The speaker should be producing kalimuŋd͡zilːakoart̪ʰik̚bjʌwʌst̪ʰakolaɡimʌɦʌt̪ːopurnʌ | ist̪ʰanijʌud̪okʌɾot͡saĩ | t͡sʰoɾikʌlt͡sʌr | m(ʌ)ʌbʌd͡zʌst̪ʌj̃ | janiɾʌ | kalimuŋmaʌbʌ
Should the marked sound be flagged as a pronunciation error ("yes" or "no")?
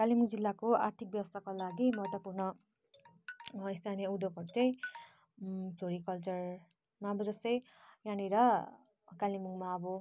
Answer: yes